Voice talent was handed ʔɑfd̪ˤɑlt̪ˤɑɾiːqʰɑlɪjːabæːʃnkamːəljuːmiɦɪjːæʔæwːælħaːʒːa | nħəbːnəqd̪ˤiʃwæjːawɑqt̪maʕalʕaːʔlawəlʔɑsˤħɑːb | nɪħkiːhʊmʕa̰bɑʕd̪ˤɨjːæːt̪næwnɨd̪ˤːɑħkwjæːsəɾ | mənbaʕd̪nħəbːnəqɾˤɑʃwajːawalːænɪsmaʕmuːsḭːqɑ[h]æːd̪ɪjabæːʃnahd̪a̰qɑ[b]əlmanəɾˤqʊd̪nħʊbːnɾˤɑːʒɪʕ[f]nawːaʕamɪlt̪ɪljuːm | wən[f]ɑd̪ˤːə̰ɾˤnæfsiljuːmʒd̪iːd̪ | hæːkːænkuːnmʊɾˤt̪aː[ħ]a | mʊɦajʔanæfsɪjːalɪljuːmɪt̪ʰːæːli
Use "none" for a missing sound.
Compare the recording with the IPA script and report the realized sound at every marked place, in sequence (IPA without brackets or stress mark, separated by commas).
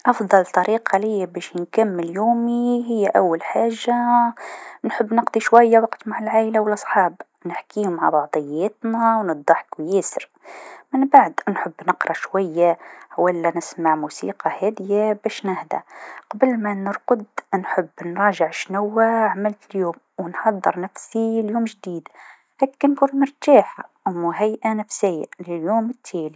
h, b, ʃ, ħ, ħ